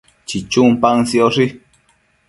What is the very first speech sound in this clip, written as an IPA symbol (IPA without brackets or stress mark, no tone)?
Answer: t͡ʃ